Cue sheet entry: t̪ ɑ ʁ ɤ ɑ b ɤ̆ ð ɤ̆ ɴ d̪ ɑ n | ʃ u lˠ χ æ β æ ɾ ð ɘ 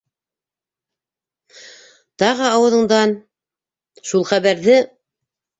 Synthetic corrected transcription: t̪ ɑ ʁ ɤ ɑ w ɤ̆ ð ɤ̆ ɴ d̪ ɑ n | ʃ u lˠ χ æ β æ ɾ ð ɘ